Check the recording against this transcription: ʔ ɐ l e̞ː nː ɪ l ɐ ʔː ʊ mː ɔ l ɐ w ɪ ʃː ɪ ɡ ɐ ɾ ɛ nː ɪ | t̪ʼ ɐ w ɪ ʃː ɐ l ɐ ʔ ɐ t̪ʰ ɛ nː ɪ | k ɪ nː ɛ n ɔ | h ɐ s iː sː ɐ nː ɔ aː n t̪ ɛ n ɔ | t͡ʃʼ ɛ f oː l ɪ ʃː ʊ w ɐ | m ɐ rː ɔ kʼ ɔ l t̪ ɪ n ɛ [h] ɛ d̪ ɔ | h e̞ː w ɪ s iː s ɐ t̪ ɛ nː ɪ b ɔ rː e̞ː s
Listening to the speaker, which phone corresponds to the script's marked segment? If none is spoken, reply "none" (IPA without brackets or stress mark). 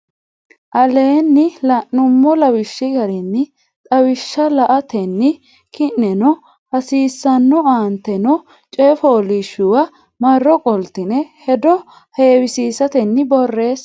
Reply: h